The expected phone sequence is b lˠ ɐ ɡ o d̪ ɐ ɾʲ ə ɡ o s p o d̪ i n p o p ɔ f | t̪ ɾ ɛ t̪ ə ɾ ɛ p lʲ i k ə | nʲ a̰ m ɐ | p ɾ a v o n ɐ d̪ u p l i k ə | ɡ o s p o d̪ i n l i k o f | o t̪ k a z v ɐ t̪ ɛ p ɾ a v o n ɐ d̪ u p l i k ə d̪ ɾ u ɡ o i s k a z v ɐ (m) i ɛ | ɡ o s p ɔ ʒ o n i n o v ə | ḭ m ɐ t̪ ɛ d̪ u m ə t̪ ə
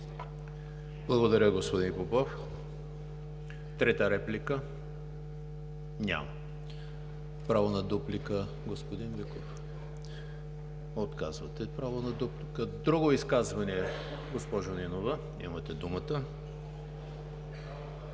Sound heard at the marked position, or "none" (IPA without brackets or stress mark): n